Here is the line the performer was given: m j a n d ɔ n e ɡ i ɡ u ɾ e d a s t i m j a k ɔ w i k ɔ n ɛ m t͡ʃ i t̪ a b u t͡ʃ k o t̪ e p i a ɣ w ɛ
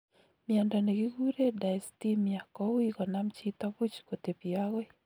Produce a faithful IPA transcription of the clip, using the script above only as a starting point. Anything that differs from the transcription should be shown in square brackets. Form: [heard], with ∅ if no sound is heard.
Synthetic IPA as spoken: m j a n d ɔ n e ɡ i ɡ u ɾ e d a s t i m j a k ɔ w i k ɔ n [a] m t͡ʃ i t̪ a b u t͡ʃ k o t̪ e p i a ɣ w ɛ